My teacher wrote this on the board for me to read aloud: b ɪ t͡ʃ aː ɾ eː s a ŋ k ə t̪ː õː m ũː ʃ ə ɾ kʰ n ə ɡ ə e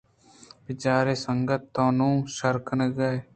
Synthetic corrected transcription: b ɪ t͡ʃ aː ɾ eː s ə ŋ ɡ ə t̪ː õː n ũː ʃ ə ɾ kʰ n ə ɡ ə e